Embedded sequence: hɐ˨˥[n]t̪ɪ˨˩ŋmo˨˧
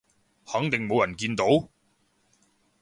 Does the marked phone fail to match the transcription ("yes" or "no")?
yes